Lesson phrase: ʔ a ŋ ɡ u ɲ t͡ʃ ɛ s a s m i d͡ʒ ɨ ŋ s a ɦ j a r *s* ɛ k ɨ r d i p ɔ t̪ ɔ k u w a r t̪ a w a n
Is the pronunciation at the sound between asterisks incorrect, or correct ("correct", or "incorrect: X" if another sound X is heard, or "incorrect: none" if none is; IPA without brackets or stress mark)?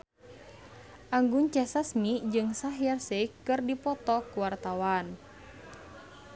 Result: correct